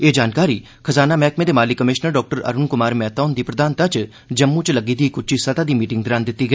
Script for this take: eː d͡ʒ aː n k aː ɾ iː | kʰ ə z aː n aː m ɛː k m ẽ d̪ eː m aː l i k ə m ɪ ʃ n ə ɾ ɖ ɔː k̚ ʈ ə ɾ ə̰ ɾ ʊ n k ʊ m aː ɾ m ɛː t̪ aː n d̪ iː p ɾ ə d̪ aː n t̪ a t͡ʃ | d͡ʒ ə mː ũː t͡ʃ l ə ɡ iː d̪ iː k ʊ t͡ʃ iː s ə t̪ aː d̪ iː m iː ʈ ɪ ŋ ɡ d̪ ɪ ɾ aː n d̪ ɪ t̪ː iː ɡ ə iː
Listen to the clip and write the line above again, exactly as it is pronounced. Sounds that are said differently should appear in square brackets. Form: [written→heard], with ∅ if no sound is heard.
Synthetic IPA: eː d͡ʒ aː n k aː ɾ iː | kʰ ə z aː n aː m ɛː k m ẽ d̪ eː m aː l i k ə m ɪ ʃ n ə ɾ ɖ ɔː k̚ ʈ ə ɾ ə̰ ɾ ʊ n k ʊ m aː ɾ m ɛː t̪ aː n d̪ iː p ɾ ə d̪ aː n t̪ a t͡ʃ | d͡ʒ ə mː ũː t͡ʃ l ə ɡ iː d̪ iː k ʊ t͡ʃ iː s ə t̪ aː d̪ iː m iː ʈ ɪ ŋ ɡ d̪ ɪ ɾ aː n d̪ ɪ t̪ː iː ɡ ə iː